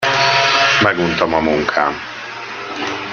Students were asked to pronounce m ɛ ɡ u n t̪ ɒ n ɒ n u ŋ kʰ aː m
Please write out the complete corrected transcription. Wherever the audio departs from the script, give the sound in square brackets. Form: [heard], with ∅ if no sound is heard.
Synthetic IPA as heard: m ɛ ɡ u n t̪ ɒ [m] ɒ [m] u ŋ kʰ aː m